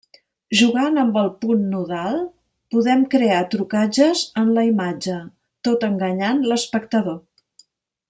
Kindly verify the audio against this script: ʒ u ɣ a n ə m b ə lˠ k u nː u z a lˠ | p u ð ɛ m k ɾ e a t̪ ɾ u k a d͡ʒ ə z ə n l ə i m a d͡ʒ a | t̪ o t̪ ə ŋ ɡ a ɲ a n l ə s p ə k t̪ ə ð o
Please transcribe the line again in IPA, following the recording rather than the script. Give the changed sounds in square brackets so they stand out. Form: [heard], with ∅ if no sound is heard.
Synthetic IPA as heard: ʒ u ɣ a n ə m b ə lˠ [p] u nː u [ð] a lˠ | p u ð ɛ m k ɾ e a t̪ ɾ u k a d͡ʒ ə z ə n l ə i m a d͡ʒ [ə] | t̪ o t̪ ə ŋ ɡ [ə] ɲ a n l ə s p ə k t̪ ə ð o